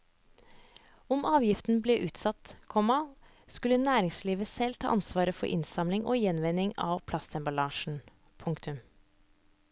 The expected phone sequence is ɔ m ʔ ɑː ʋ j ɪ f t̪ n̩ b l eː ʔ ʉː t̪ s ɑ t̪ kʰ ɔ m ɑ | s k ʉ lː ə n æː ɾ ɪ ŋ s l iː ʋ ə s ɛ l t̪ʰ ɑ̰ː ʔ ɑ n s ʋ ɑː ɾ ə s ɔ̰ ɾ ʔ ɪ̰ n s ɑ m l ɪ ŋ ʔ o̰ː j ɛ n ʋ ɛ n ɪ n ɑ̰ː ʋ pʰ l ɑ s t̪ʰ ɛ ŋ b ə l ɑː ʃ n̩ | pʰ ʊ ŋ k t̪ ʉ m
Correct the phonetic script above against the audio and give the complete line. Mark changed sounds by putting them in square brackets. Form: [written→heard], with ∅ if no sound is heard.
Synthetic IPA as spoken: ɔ m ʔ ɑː ʋ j ɪ f t̪ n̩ b l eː ʔ ʉː t̪ s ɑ t̪ kʰ ɔ m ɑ | s k ʉ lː ə n æː ɾ ɪ ŋ s l iː ʋ ə s ɛ l t̪ʰ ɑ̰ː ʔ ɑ n s ʋ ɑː ɾ ə [s→f] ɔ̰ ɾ ʔ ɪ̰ n s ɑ m l ɪ ŋ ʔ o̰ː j ɛ n ʋ ɛ n ɪ [n→ŋ] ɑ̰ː ʋ pʰ l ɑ s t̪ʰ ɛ [ŋ→m] b [ə→ɑ] l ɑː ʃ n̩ | pʰ ʊ ŋ k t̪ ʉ m

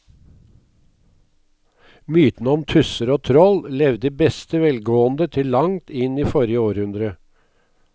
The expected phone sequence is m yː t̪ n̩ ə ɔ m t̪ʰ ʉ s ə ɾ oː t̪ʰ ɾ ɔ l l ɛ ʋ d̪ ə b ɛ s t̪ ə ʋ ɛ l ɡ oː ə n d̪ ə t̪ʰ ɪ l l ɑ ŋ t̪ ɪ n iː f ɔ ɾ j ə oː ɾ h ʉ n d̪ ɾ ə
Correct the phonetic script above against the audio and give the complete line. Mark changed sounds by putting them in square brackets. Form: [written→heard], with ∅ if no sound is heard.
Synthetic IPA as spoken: m yː t̪ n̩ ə ɔ m t̪ʰ ʉ s ə ɾ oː t̪ʰ ɾ ɔ l l ɛ ʋ d̪ ə b ɛ s t̪ ə ʋ ɛ l ɡ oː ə n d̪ ə t̪ʰ ɪ l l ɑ ŋ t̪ ɪ n iː f ɔ ɾ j ə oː ɾ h ʉ n d̪ ɾ ə

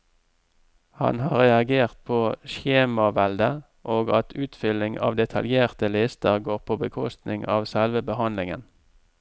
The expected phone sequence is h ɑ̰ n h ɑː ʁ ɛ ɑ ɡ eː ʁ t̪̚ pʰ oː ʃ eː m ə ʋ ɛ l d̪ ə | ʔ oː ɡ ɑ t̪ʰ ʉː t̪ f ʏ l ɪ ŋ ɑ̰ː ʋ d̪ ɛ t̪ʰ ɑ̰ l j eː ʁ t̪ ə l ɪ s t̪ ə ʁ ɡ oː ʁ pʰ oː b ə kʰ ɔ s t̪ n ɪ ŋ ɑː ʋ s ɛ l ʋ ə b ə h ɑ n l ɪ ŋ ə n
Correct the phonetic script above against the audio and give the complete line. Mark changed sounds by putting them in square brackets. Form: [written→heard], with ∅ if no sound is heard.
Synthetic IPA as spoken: h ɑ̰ n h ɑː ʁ ɛ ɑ ɡ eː ʁ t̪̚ pʰ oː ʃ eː m [ə→ɑ] ʋ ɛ l d̪ ə | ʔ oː ɡ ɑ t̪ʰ ʉː t̪ f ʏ l ɪ ŋ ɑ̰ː ʋ d̪ ɛ t̪ʰ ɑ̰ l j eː ʁ t̪ ə l ɪ s t̪ ə ʁ ɡ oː ʁ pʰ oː b ə kʰ ɔ s t̪ n ɪ ŋ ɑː ʋ s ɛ l ʋ ə b ə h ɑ n l ɪ ŋ ə n

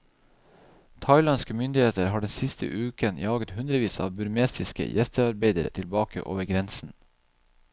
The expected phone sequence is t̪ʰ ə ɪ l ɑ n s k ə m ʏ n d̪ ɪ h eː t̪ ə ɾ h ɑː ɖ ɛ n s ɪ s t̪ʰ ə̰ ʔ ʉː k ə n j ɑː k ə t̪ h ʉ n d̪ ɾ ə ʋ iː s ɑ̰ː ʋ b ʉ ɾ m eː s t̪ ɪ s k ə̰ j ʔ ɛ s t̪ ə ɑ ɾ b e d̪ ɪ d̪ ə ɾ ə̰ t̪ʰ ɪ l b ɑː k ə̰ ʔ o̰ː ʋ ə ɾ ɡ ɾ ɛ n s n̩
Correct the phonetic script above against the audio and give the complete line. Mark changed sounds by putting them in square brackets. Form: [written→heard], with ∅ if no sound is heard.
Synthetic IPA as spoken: t̪ʰ [ə→ɑ] ɪ l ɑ n s k ə m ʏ n d̪ ɪ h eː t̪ ə ɾ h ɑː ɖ ɛ n s ɪ s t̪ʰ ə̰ ʔ ʉː k ə n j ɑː [k→ɡ] ə t̪ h ʉ n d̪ ɾ ə ʋ iː s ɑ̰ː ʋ b ʉ ɾ m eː s t̪ ɪ s k ə̰ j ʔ ɛ s t̪ ə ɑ ɾ b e [d̪→∅] ɪ d̪ ə ɾ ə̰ t̪ʰ ɪ l b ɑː k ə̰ ʔ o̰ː ʋ ə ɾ ɡ ɾ ɛ n s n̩

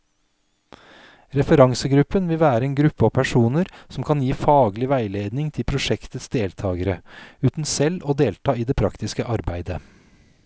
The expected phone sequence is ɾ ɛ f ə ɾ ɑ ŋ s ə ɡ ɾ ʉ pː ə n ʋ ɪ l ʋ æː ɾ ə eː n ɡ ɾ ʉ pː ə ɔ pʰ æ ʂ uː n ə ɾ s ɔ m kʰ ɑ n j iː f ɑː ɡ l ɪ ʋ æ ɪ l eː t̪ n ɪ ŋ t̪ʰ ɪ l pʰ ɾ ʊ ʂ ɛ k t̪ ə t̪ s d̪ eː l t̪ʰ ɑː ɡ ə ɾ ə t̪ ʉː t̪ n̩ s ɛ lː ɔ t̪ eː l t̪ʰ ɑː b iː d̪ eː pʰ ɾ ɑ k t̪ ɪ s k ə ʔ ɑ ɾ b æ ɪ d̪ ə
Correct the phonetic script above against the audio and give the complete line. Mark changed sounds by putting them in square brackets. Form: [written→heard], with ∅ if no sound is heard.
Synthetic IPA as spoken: ɾ ɛ f ə ɾ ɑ ŋ s ə ɡ ɾ ʉ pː ə n ʋ ɪ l ʋ æː ɾ ə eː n ɡ ɾ ʉ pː ə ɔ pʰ æ ʂ uː n ə ɾ s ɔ m kʰ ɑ n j iː f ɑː ɡ l ɪ ʋ æ ɪ l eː [t̪→d̪] n ɪ ŋ t̪ʰ ɪ l pʰ ɾ ʊ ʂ ɛ k t̪ ə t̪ s d̪ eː l t̪ʰ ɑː ɡ ə ɾ ə [t̪→∅] ʉː t̪ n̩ s ɛ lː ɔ [t̪→d̪] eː l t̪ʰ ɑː [b→∅] iː d̪ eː pʰ ɾ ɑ k t̪ ɪ s k ə ʔ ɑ ɾ b æ ɪ d̪ ə

